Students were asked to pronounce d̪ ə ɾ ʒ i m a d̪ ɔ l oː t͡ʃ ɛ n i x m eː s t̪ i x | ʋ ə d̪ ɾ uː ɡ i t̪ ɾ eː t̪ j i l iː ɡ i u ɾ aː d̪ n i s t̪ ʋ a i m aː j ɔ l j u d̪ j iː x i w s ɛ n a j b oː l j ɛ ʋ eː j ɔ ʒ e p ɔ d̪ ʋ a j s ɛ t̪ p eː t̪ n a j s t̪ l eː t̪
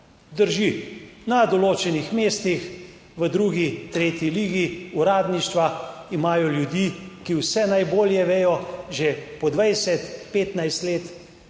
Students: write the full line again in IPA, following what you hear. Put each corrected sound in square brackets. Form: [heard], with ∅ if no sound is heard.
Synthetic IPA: d̪ ə ɾ ʒ i [n] a d̪ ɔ l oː t͡ʃ ɛ n i x m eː s t̪ i x | ʋ ə d̪ ɾ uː ɡ i t̪ ɾ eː t̪ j i l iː ɡ i u ɾ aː d̪ n i [ʃ] t̪ ʋ a i m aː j ɔ l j u d̪ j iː [k] i w s ɛ n a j b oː l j ɛ ʋ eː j ɔ ʒ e p ɔ d̪ ʋ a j s ɛ t̪ p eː t̪ n a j s t̪ l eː t̪